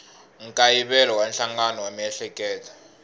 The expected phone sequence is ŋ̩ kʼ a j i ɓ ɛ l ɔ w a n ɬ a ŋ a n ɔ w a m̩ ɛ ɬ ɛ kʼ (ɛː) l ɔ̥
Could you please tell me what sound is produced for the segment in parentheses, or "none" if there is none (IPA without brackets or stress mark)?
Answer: ɛː